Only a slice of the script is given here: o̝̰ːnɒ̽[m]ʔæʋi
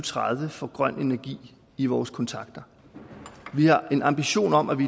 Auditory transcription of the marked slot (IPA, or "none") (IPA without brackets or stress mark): m